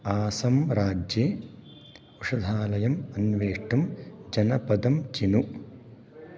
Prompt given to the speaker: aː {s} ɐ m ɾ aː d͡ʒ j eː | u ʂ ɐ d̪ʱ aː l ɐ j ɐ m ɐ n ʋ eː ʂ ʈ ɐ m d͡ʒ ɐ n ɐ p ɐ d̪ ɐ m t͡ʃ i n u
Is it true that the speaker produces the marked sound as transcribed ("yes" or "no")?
yes